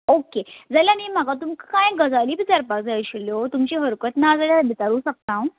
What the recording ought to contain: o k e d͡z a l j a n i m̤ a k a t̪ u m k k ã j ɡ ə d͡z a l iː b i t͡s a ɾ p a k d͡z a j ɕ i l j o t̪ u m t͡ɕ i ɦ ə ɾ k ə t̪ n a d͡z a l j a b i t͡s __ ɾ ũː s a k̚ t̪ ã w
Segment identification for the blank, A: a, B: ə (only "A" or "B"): A